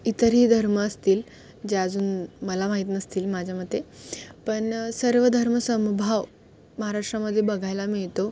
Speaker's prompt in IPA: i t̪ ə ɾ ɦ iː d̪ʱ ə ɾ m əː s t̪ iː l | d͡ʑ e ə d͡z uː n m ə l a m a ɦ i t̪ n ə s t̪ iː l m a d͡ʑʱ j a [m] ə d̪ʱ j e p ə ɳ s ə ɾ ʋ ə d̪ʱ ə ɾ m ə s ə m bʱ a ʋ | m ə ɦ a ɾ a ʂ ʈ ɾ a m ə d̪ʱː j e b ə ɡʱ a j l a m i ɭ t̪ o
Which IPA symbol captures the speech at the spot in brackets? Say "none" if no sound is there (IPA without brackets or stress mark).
m